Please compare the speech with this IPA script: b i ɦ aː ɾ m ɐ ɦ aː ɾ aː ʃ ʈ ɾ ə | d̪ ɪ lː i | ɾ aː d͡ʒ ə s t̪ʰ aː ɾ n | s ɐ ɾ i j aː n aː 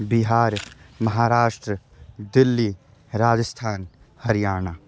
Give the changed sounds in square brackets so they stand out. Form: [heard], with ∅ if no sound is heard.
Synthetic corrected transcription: b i ɦ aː ɾ m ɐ ɦ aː ɾ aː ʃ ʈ ɾ ə | d̪ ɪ lː i | ɾ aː d͡ʒ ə s t̪ʰ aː [∅] n | [h] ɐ ɾ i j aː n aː

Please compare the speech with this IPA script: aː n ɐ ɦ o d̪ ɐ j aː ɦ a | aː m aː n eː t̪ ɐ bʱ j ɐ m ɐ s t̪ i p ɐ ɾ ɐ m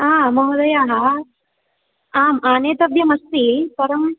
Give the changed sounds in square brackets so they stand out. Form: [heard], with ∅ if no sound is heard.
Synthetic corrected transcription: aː [m] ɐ ɦ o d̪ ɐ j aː ɦ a | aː m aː n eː t̪ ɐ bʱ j ɐ m ɐ s t̪ i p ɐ ɾ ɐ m

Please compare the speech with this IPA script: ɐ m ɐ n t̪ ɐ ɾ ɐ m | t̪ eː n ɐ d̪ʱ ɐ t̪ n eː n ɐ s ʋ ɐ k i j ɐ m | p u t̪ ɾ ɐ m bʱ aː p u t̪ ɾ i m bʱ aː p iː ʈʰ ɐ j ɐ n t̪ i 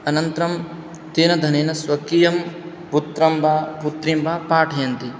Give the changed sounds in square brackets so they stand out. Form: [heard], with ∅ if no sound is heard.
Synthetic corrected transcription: ɐ [n] ɐ n t̪ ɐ ɾ ɐ m | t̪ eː n ɐ d̪ʱ ɐ [∅] n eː n ɐ s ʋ ɐ k i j ɐ m | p u t̪ ɾ ɐ m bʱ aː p u t̪ ɾ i m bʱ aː p [aː] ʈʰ ɐ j ɐ n t̪ i

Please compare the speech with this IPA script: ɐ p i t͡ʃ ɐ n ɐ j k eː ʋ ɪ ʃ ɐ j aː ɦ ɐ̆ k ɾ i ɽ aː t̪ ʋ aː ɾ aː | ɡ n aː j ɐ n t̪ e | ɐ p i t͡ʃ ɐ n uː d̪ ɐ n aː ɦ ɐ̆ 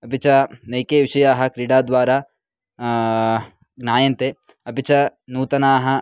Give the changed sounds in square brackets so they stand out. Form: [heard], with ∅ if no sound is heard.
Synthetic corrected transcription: ɐ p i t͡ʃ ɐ n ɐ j k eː ʋ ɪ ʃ ɐ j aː ɦ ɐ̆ k ɾ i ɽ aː [d̪] ʋ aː ɾ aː | ɡ n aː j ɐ n t̪ e | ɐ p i t͡ʃ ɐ n uː [t̪] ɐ n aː ɦ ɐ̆

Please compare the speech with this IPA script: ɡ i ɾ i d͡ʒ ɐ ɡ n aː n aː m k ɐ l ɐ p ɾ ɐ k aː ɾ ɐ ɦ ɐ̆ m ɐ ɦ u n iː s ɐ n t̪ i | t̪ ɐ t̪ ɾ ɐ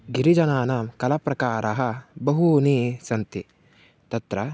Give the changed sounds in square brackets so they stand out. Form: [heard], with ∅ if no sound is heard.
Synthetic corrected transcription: ɡ i ɾ i d͡ʒ ɐ [∅] n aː n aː m k ɐ l ɐ p ɾ ɐ k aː ɾ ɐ ɦ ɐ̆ [b] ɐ ɦ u n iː s ɐ n t̪ i | t̪ ɐ t̪ ɾ ɐ

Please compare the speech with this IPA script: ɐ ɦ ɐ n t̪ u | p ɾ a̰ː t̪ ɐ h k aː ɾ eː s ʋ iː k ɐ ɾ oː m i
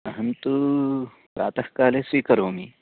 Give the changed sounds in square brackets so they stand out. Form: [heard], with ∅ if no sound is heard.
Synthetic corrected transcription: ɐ ɦ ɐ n t̪ u | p ɾ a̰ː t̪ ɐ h k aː [l] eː s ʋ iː k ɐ ɾ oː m i

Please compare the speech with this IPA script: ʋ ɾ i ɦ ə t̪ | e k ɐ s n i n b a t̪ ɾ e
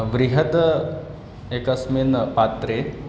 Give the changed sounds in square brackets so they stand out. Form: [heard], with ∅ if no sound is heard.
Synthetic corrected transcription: ʋ ɾ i ɦ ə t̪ | e k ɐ s [m] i n [p] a t̪ ɾ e

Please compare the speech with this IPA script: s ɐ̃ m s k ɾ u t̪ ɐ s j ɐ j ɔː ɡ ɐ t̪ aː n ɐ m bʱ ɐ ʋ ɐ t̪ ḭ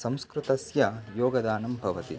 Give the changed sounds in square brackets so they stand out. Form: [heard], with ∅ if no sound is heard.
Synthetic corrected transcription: s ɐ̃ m s k ɾ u t̪ ɐ s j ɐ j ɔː ɡ ɐ [d̪] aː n ɐ m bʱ ɐ ʋ ɐ t̪ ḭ

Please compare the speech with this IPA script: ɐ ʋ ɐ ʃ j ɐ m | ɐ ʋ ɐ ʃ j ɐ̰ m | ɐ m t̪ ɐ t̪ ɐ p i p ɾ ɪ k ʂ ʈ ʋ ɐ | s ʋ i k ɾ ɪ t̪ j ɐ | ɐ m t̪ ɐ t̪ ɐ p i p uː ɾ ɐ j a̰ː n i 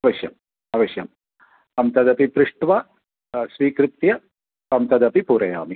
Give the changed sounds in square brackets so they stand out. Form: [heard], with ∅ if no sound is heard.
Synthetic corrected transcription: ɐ ʋ ɐ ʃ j ɐ m | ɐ ʋ ɐ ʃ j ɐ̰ m | ɐ m t̪ ɐ [d̪] ɐ p i p ɾ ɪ [∅] ʂ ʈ ʋ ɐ | s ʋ [iː] k ɾ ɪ t̪ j ɐ | ɐ m t̪ ɐ [d̪] ɐ p i p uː ɾ ɐ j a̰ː [m] i

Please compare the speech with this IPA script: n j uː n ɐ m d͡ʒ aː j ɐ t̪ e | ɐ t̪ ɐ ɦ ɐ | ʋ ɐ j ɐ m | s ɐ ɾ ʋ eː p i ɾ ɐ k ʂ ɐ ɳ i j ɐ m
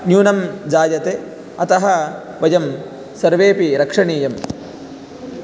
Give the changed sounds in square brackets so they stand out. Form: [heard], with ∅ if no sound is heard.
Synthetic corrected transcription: n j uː n ɐ m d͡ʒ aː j ɐ t̪ e | ɐ t̪ ɐ ɦ ɐ | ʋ ɐ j ɐ m | s ɐ ɾ ʋ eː p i ɾ ɐ k ʂ ɐ ɳ [iː] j ɐ m

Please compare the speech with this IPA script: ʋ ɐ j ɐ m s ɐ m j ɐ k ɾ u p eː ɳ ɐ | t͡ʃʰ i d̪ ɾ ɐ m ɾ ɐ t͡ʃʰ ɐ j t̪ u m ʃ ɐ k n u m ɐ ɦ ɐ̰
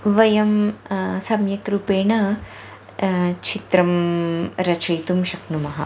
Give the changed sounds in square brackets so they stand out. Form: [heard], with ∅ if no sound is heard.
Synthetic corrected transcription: ʋ ɐ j ɐ m s ɐ m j ɐ k ɾ u p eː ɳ ɐ | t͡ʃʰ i [t̪] ɾ ɐ m ɾ ɐ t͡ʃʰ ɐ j t̪ u m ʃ ɐ k n u m ɐ ɦ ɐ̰

